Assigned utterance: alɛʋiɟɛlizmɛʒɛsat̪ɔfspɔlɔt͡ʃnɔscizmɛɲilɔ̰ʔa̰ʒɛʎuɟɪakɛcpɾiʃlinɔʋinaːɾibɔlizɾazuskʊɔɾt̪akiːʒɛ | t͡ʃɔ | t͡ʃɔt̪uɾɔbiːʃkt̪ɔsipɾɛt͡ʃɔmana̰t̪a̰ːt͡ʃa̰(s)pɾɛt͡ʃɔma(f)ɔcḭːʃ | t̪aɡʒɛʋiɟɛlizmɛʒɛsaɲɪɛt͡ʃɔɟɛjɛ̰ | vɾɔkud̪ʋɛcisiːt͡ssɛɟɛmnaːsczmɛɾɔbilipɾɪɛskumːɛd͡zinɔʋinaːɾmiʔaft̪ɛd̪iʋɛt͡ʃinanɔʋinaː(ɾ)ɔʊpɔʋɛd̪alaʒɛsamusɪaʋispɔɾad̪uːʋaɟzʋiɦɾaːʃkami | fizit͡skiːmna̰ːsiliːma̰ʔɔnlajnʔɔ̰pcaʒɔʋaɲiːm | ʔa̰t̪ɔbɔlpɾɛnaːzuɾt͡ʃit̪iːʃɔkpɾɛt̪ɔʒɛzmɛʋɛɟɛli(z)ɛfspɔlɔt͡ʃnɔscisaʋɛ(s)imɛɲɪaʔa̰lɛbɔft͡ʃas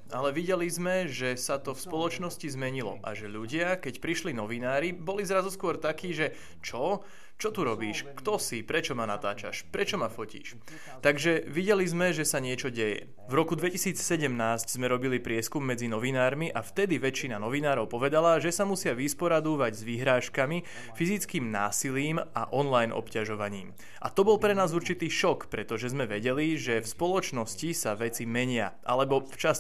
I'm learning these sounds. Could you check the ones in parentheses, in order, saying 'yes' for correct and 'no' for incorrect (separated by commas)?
no, yes, yes, no, no